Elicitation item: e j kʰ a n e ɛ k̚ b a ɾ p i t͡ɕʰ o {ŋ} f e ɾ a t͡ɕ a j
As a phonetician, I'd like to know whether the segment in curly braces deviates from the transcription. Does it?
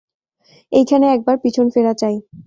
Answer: yes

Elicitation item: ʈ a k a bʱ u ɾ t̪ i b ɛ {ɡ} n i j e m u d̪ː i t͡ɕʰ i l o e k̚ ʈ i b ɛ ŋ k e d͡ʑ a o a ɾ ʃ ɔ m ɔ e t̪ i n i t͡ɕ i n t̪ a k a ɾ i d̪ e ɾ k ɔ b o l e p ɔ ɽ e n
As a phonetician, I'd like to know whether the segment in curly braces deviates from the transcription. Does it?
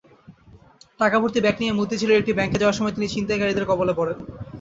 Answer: yes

